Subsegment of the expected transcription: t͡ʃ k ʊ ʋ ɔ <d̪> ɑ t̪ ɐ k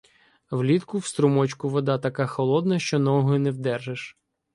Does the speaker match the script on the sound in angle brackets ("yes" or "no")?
yes